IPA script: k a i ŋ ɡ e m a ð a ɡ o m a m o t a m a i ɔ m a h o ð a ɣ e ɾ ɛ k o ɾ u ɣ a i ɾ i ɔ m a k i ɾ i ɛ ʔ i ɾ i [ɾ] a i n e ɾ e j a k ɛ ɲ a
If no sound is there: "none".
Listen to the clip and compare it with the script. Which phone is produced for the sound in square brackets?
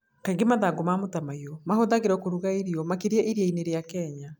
none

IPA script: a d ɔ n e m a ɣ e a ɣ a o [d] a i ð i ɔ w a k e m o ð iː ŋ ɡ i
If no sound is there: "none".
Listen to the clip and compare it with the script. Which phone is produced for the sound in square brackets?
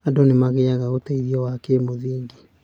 t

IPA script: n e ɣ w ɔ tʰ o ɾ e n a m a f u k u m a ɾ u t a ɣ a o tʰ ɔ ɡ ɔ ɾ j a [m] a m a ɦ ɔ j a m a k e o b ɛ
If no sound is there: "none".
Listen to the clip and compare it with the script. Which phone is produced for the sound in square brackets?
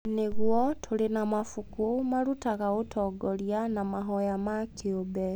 n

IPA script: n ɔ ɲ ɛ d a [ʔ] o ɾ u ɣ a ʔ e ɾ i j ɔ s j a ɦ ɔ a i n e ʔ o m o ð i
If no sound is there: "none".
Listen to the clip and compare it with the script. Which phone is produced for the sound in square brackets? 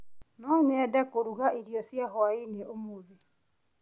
k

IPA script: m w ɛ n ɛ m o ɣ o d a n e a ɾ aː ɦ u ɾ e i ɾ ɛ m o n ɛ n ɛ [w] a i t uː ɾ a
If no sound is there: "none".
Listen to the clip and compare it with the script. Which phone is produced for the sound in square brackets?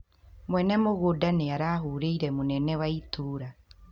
w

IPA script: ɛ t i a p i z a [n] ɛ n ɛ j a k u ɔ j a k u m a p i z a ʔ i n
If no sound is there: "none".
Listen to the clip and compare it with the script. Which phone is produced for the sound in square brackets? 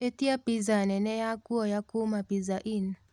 n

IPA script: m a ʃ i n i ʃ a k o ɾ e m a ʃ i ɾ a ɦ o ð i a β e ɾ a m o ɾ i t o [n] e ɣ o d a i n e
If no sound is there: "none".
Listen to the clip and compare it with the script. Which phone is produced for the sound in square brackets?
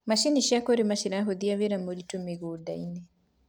m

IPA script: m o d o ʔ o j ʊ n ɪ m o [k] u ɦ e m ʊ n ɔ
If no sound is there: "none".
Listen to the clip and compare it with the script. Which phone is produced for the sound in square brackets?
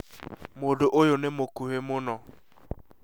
k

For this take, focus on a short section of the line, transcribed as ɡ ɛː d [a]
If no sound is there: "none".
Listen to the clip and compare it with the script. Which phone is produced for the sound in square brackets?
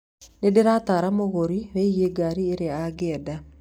a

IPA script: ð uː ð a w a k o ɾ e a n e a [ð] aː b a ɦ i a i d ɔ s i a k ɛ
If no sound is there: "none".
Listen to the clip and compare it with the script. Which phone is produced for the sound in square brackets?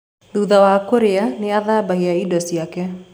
ð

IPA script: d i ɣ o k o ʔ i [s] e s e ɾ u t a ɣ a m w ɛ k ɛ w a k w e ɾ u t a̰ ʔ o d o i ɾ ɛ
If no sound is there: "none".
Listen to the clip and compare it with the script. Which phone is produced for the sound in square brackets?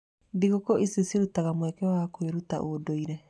s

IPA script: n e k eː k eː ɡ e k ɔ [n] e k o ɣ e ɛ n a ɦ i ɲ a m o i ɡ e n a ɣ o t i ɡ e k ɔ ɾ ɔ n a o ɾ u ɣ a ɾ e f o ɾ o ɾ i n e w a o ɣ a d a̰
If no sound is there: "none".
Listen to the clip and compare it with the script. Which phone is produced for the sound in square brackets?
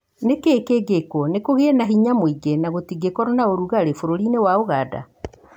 n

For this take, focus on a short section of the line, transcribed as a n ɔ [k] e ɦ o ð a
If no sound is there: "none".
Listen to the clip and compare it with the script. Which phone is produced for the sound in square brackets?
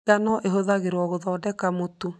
ʔ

